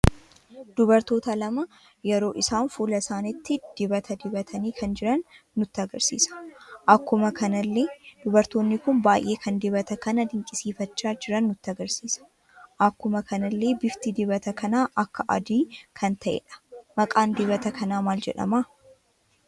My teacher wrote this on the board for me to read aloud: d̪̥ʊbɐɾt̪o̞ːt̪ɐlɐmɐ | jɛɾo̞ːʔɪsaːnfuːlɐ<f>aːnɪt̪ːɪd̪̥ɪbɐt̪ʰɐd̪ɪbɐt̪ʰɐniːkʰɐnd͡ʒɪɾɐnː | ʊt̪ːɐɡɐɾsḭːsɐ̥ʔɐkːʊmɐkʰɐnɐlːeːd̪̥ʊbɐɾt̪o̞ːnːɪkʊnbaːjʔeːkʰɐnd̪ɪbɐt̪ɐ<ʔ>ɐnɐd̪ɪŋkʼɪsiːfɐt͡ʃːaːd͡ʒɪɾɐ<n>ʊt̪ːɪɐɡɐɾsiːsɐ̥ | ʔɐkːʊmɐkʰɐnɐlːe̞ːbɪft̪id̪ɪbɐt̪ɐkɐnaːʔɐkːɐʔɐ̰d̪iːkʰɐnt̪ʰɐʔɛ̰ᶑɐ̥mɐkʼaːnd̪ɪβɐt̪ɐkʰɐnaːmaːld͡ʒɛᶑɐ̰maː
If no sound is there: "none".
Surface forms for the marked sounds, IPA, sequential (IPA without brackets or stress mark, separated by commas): s, k, nː